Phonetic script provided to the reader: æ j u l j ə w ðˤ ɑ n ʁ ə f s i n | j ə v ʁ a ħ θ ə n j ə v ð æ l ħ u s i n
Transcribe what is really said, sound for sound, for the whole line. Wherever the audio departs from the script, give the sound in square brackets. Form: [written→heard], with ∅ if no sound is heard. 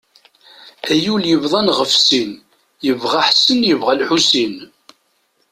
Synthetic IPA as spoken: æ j u l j ə [w→v] ðˤ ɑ n ʁ ə f s i n | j ə v ʁ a ħ [θ→s] ə n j ə v [ð→ʁ] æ l ħ u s i n